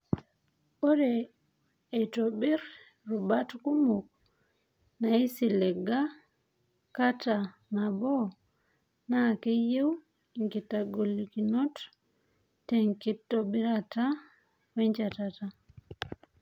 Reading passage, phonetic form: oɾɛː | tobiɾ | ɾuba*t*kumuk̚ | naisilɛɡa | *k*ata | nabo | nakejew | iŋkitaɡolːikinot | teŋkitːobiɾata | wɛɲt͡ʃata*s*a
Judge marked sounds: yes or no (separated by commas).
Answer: yes, yes, no